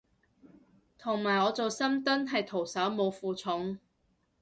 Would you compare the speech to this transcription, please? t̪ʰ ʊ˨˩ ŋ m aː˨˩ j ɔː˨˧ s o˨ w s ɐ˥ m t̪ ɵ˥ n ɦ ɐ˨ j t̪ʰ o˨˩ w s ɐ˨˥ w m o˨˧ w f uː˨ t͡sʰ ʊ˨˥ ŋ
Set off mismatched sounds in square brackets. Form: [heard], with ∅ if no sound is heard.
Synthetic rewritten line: t̪ʰ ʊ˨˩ ŋ m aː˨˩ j ɔː˨˧ [t͡s] o˨ w s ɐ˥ m t̪ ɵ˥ n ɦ ɐ˨ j t̪ʰ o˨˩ w s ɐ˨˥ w m o˨˧ w f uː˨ t͡sʰ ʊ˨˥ ŋ